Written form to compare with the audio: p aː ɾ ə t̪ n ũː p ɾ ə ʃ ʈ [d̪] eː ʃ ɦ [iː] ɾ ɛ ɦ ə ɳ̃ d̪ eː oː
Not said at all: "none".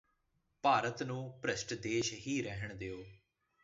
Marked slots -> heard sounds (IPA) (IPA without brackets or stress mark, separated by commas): d̪, iː